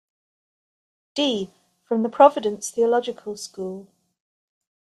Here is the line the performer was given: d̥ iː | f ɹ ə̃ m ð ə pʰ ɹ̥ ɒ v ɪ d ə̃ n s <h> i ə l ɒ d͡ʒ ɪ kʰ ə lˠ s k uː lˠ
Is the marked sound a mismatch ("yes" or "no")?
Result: yes